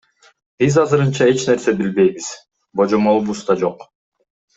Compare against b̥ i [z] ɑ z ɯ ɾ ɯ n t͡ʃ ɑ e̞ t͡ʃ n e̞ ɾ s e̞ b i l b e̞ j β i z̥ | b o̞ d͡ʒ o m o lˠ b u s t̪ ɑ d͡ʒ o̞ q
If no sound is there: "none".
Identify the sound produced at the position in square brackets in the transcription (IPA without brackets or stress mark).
z